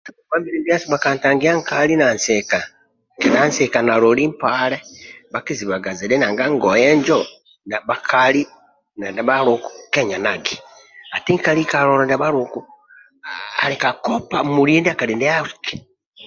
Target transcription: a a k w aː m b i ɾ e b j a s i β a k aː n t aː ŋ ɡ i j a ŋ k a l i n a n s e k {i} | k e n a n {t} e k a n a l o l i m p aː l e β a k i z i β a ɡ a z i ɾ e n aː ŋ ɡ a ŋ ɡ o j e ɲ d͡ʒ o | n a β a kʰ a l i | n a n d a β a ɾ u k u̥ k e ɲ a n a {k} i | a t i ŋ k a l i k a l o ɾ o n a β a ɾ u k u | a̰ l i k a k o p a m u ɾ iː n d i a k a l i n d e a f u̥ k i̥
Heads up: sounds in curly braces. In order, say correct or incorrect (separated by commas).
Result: incorrect, incorrect, incorrect